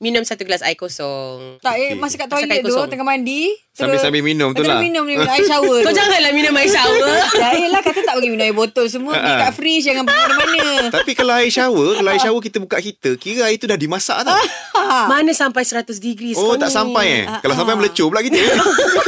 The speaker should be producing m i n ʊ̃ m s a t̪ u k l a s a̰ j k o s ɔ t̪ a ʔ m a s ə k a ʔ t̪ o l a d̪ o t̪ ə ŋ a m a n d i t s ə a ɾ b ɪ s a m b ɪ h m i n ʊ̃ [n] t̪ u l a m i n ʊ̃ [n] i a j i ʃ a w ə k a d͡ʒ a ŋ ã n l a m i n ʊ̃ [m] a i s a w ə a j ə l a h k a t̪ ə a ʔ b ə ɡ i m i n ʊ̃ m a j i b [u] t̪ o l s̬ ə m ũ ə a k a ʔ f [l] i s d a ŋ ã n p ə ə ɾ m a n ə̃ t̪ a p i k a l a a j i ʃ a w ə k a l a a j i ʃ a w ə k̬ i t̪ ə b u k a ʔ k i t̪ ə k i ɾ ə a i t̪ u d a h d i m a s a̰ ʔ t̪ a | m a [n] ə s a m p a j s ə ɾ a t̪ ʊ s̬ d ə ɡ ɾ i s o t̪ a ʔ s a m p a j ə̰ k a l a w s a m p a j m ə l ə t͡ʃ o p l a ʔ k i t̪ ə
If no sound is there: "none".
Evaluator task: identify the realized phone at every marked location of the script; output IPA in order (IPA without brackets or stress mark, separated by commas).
m, m, m, o, ɾ, n